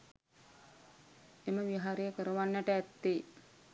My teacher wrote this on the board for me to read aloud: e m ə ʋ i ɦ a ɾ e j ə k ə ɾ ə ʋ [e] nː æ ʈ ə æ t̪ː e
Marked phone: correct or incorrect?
incorrect: a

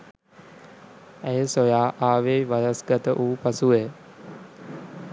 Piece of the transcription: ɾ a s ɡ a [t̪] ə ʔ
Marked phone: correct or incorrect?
correct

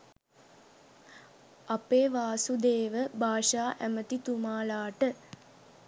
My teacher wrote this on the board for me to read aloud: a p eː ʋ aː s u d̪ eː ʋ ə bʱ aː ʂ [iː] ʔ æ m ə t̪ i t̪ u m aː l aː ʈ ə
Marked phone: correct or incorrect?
incorrect: aː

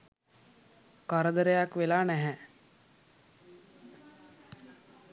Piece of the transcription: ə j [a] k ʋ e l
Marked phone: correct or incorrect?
correct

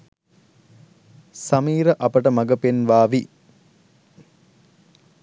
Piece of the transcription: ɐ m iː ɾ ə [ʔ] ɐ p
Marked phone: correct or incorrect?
correct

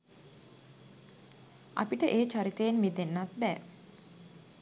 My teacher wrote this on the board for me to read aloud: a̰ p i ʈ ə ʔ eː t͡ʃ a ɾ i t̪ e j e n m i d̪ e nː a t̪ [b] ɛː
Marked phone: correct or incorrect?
correct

